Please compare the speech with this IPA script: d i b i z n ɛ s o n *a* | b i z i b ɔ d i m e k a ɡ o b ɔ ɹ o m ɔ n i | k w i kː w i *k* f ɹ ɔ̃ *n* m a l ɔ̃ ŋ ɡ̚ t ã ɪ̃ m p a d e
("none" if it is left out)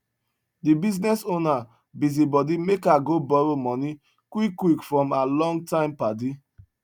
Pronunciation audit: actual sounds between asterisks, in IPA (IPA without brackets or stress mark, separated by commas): a, k, none